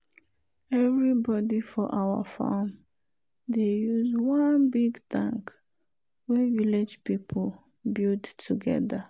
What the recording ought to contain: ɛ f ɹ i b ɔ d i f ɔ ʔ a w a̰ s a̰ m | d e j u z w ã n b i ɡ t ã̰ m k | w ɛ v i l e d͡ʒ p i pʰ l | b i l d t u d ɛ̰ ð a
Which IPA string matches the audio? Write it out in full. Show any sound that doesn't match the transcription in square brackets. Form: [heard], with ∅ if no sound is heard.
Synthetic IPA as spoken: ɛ [v] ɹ i b ɔ d i f ɔ ʔ a w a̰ [f] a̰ m | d e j u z w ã n b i ɡ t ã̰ [ŋ] k | w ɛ v i l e d͡ʒ p i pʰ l | b i l d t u [ɡ] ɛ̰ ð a

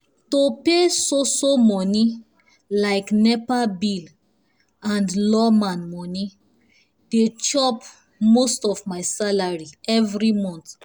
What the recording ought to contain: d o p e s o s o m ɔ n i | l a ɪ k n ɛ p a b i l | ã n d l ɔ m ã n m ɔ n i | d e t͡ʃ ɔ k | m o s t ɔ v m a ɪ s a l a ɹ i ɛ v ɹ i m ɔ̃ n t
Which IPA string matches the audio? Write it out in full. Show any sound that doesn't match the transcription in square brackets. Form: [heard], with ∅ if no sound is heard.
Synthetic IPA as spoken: [t] o p e s o s o m ɔ n i | l a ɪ k n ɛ p a b i l | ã n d l ɔ m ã n m ɔ n i | d e t͡ʃ ɔ [p] | m o s t ɔ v m a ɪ s a l a ɹ i ɛ v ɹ i m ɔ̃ n t

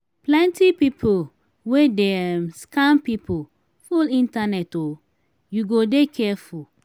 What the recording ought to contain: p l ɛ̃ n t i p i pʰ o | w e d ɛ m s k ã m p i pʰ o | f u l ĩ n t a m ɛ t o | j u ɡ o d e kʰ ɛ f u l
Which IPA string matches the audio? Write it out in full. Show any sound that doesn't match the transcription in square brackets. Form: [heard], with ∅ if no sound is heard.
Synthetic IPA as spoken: p l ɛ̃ n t i p i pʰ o | w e d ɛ m s k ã m p i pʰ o | f u l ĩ n t a [n] ɛ t o | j u ɡ o d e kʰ ɛ f u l

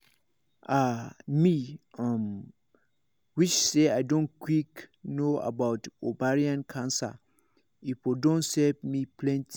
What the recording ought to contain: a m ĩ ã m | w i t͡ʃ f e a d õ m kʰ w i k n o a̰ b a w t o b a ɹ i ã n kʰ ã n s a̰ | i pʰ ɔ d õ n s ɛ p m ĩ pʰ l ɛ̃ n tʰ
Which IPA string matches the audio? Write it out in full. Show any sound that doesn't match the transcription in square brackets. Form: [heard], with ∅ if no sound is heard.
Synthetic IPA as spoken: a m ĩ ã m | w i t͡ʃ [s] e a d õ [n] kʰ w i k n o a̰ b a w t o b a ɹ i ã n kʰ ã n s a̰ | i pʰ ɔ d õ n s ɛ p m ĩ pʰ l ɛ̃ n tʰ

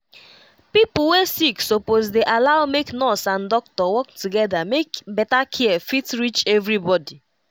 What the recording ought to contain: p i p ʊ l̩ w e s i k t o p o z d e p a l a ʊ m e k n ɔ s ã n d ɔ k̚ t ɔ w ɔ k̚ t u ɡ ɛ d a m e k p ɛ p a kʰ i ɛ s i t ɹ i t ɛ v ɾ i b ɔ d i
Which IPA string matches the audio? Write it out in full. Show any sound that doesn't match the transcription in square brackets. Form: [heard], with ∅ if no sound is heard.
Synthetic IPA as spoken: p i p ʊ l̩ w e s i k [s] o p o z d e [ʔ] a l a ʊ m e k n ɔ s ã n d ɔ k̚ t ɔ w ɔ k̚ t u ɡ ɛ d a m e k [b] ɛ [t] a kʰ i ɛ [f] i t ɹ i [t͡ʃ] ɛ v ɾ i b ɔ d i

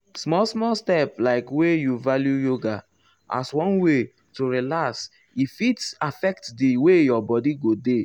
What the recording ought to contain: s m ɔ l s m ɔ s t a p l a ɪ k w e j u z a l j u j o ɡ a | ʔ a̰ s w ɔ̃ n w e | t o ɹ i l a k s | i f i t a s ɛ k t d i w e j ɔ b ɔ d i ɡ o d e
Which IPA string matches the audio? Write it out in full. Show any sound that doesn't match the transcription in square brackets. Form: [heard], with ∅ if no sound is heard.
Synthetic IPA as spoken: s m ɔ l s m ɔ s t [ɛ] p l a ɪ k w e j u [v] a l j u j o ɡ a | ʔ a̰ s w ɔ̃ n w e | t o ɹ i l a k s | i f i t a [f] ɛ k t d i w e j ɔ b ɔ d i ɡ o d e

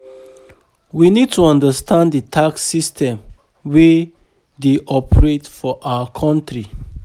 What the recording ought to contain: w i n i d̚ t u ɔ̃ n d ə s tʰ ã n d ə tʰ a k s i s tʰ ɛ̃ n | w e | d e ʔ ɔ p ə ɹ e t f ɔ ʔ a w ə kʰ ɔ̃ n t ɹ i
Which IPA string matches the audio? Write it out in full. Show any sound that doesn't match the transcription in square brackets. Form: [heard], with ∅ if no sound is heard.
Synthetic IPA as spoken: w i n i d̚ t u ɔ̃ n d ə s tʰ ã n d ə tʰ a k s i s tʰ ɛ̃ [m] | w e | d e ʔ ɔ p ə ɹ e t f ɔ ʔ a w ə kʰ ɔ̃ n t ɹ i

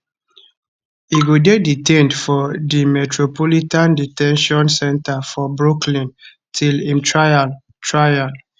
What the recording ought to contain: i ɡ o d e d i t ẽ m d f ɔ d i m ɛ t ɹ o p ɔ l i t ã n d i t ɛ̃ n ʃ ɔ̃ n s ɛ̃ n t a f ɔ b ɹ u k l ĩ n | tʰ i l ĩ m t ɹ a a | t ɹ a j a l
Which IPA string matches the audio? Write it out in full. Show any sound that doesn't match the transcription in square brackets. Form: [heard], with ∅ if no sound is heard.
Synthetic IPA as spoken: i ɡ o d e d i t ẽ [n] d f ɔ d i m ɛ t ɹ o p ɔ l i t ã n d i t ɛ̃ n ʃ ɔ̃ n s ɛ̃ n t a f ɔ b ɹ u k l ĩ n | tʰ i l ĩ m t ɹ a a | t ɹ a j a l

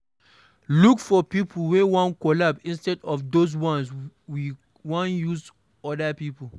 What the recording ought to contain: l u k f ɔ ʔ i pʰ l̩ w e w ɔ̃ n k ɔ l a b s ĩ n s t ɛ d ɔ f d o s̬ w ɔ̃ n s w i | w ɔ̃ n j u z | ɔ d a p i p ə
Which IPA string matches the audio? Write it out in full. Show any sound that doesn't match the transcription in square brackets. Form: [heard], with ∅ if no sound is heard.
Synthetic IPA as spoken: l u k f ɔ [p] i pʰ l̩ w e w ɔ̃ n k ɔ l a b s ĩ n s t ɛ d ɔ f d o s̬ w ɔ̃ n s w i | w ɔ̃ n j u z | ɔ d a p i p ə

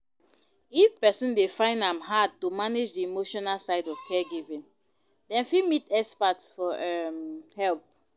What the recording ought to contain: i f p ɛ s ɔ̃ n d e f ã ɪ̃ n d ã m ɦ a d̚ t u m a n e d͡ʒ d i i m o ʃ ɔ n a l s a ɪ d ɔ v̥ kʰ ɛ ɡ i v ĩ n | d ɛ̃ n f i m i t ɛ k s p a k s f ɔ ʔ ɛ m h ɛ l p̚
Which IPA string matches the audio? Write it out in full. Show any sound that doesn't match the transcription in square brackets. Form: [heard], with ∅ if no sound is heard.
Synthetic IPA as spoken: i f p ɛ s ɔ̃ n d e f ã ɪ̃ n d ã m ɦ a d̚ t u m a n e d͡ʒ d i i m o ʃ ɔ n a l s a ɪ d ɔ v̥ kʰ ɛ ɡ i v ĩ n | d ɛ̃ n f i m i t ɛ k s p a [t] s f ɔ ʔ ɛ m h ɛ l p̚

